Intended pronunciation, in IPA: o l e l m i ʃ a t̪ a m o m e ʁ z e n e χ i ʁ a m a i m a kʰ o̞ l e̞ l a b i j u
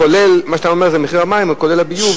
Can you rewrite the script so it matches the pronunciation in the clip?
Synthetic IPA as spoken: o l e l m a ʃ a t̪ a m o m e ʁ z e m e χ i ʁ a m a i m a k o̞ l e̞ l a b i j u